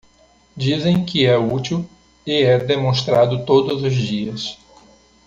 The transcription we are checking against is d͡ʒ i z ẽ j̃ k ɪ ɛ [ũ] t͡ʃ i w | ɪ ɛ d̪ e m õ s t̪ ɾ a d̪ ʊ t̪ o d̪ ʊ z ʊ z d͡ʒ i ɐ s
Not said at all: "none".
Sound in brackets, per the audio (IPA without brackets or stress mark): u